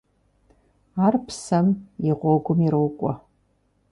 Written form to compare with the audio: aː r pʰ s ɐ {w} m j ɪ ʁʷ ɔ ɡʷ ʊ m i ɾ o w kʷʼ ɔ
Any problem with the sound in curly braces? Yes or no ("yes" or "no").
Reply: yes